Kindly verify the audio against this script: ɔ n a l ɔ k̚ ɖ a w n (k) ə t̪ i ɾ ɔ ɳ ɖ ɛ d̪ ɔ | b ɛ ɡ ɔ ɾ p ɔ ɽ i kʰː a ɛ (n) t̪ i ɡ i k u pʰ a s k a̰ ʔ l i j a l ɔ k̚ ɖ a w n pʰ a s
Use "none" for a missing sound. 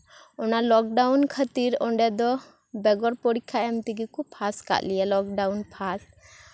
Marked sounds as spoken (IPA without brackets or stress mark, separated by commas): kʰ, m